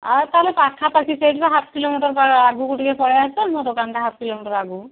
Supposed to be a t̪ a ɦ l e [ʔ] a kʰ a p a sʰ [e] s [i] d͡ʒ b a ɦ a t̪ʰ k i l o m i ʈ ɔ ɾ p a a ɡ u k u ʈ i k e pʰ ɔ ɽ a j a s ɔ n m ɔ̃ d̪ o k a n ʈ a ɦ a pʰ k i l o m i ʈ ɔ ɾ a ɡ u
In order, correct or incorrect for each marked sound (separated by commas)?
incorrect, incorrect, incorrect